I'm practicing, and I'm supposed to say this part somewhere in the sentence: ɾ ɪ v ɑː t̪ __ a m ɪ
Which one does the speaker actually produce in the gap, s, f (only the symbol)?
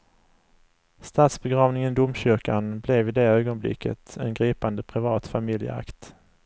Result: f